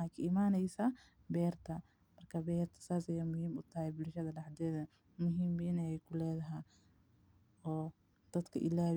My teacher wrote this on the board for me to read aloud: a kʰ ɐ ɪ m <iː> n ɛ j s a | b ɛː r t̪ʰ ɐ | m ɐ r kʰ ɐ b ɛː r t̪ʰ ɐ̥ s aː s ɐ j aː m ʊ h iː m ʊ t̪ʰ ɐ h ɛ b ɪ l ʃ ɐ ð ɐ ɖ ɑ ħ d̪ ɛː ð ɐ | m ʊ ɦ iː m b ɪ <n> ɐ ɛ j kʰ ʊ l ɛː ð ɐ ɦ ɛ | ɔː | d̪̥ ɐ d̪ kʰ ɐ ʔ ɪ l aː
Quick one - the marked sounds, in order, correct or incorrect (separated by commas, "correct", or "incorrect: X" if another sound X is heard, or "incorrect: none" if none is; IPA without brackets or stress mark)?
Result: incorrect: aː, correct